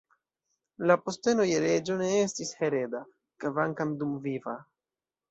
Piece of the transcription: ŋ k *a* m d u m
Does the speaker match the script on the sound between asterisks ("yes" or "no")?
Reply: yes